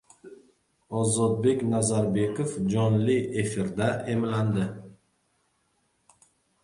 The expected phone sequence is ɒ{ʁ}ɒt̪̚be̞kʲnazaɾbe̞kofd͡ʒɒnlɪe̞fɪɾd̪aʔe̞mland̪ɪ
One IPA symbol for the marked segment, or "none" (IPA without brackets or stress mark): z